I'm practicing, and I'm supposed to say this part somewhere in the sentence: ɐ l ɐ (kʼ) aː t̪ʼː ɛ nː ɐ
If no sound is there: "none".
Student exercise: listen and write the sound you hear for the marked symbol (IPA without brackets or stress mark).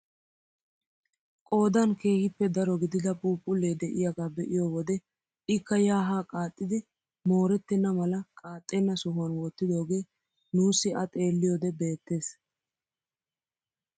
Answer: kʼ